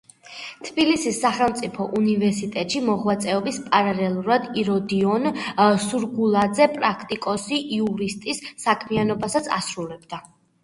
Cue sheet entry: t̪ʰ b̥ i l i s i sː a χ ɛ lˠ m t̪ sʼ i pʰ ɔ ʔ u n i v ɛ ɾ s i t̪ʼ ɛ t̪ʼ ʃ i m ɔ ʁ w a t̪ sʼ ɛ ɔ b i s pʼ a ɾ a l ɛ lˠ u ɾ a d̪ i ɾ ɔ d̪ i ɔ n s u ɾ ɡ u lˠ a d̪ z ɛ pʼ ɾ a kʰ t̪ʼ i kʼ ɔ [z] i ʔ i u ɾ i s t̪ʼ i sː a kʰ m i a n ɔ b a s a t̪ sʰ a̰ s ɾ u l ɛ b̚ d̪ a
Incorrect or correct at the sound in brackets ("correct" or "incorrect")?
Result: incorrect